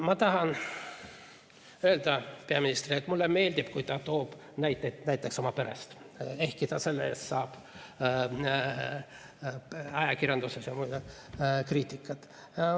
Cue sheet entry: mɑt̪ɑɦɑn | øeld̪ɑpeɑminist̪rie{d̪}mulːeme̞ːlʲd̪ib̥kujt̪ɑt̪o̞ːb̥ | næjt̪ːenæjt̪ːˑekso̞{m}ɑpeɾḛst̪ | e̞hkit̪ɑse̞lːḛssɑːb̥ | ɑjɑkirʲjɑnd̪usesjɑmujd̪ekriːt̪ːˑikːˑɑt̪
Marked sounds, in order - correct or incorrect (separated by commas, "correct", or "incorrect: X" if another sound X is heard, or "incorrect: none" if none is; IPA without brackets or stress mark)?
incorrect: t̪, correct